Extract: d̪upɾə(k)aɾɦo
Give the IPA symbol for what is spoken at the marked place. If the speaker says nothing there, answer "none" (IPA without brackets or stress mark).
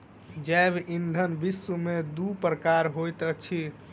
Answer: k